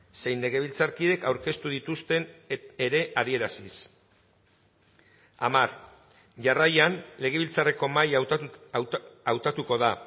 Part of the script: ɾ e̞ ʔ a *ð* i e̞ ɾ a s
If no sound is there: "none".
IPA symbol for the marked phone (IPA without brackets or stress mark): ð